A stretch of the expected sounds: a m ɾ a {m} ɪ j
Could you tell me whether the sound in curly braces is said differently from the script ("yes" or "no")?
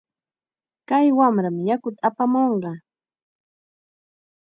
no